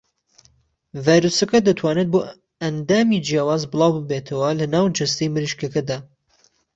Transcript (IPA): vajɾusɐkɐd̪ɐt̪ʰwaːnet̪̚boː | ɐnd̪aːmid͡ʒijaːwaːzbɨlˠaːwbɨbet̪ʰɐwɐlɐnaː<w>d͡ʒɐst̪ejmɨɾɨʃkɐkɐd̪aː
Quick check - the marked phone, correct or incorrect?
correct